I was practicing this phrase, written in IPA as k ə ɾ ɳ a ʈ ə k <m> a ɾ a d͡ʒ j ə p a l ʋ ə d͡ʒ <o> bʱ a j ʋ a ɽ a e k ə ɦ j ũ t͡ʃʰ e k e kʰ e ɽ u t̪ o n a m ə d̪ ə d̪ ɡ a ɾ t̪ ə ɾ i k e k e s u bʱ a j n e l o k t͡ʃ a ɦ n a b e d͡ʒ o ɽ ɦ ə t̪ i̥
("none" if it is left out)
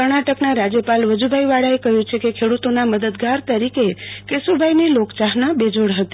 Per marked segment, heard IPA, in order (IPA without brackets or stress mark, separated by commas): n, u